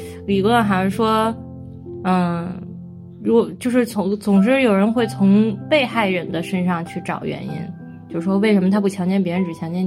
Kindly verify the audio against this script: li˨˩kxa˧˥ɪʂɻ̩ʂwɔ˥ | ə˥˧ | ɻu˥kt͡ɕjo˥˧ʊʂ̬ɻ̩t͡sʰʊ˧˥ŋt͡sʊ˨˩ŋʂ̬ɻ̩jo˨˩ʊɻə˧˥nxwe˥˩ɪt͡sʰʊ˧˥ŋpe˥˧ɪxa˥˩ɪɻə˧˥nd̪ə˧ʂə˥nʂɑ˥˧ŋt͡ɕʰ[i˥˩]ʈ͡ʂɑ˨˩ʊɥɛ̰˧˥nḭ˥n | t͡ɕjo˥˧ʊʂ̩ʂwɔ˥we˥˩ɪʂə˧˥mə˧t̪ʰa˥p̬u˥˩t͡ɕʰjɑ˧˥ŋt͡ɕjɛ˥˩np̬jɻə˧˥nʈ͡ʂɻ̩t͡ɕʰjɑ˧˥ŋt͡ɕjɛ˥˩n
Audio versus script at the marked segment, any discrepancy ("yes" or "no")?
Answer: yes